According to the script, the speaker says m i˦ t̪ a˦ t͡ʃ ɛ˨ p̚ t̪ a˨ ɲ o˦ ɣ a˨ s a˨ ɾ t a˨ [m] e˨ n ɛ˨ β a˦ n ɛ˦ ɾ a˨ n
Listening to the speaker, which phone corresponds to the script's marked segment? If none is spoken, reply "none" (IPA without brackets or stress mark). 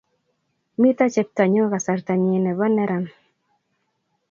ɲ